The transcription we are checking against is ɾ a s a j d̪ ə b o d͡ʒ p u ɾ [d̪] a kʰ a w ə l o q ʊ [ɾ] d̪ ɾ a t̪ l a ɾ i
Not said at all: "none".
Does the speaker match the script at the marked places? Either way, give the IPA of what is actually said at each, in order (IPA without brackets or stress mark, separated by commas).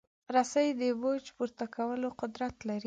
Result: t̪, none